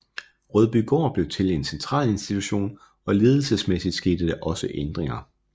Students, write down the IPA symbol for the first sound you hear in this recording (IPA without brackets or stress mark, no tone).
ʁ